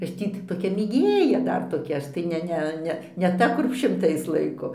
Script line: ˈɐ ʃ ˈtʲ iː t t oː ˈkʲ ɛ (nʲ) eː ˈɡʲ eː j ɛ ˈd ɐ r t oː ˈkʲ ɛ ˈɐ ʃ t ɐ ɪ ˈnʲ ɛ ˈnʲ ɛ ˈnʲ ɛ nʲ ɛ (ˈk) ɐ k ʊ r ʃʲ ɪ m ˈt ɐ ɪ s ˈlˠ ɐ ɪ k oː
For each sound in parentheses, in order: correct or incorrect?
incorrect, incorrect

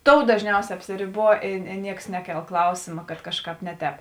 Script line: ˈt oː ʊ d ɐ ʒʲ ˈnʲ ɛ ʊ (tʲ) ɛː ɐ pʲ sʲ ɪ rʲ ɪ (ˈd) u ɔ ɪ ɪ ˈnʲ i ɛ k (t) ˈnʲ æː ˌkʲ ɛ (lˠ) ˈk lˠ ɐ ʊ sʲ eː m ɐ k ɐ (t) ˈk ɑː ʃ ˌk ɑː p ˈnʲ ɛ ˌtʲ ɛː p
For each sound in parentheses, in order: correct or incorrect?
incorrect, incorrect, incorrect, correct, correct

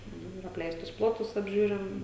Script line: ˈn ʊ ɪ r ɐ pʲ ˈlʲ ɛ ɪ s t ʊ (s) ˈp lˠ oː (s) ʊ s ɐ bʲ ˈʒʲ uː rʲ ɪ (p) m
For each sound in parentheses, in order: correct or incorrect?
correct, incorrect, incorrect

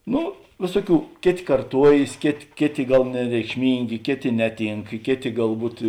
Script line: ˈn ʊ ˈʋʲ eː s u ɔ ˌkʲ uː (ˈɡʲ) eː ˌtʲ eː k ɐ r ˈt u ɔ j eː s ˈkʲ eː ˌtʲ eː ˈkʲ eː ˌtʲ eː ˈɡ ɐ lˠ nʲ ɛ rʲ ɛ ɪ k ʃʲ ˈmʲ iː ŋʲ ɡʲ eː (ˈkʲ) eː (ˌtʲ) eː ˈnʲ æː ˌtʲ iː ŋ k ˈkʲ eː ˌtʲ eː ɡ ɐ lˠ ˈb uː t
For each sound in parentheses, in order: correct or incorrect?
incorrect, correct, correct

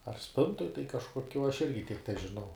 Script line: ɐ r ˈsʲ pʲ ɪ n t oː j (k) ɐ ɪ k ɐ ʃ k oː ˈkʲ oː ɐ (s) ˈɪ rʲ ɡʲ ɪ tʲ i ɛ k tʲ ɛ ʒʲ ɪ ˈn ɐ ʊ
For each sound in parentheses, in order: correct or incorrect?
incorrect, incorrect

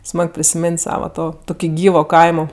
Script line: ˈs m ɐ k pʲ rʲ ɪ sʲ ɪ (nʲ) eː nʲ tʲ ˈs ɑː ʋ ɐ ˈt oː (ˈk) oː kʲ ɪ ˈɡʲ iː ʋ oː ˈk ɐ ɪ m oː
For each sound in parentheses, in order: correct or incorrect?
incorrect, incorrect

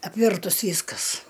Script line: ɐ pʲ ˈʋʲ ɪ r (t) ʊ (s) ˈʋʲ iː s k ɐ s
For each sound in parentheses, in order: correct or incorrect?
correct, correct

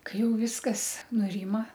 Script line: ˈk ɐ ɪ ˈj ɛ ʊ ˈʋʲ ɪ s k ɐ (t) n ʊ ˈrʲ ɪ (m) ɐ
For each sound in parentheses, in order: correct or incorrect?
incorrect, correct

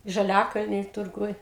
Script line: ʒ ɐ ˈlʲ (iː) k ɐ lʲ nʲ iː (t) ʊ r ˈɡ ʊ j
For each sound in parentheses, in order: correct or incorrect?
incorrect, correct

